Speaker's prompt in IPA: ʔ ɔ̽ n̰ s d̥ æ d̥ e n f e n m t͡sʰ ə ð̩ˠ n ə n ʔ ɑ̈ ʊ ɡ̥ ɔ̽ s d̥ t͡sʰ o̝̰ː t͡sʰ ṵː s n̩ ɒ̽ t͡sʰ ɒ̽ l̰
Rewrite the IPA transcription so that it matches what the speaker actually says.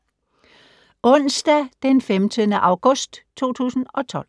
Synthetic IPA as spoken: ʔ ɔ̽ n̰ s d̥ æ d̥ e n f e m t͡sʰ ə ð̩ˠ n ə ʔ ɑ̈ ʊ ɡ̥ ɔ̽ s d̥ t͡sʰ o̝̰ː t͡sʰ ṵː s n̩ ɒ̽ t͡sʰ ɒ̽ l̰